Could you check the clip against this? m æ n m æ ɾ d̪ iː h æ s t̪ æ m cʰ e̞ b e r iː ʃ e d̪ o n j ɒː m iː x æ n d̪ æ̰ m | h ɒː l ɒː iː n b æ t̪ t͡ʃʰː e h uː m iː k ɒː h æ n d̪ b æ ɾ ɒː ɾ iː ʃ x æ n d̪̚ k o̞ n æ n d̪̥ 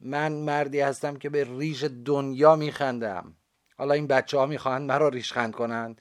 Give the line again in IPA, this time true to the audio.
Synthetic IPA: m æ n m æ ɾ d̪ iː h æ s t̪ æ m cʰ e̞ b e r iː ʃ e d̪ o n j ɒː m iː x æ n d̪ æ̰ m | h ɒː l ɒː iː n b æ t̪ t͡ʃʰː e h ɒː m iː x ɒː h æ n d̪ m æ ɾ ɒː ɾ iː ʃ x æ n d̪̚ k o̞ n æ n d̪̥